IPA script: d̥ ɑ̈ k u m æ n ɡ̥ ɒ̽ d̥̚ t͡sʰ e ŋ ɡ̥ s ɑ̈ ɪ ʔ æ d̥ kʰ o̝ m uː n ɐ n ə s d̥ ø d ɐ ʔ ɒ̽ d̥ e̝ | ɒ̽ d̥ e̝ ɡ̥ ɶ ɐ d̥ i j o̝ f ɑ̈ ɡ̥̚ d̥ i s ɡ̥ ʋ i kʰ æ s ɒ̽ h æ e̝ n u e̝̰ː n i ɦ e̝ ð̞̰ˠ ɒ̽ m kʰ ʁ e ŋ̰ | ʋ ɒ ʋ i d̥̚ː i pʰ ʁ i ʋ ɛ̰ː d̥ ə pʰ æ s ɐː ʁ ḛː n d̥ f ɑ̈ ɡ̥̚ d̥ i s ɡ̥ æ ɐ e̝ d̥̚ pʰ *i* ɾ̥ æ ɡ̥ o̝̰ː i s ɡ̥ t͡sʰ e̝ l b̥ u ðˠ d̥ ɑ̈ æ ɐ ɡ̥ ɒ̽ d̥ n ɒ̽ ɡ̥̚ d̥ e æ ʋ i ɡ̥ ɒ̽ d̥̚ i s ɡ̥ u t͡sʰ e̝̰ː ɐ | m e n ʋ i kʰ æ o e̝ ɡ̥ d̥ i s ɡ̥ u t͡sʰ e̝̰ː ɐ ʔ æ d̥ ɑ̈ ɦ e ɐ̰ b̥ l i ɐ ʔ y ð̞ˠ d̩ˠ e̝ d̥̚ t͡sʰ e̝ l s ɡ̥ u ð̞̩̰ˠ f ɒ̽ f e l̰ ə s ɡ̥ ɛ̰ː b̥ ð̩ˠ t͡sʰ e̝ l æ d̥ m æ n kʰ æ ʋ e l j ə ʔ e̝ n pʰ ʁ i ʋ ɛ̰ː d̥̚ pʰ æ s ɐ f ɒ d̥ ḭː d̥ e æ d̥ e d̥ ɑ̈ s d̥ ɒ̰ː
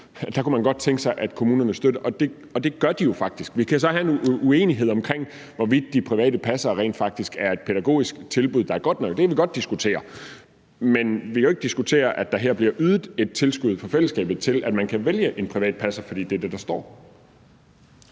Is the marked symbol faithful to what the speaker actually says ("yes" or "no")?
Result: no